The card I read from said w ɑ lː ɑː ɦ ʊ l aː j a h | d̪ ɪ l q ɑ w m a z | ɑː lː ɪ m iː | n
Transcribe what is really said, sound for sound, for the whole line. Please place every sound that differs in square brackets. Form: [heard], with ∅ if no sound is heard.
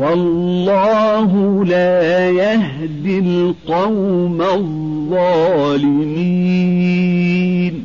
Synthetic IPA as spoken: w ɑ lː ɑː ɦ ʊ l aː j a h | d̪ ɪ l q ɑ w m a [ð] | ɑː [l] ɪ m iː | n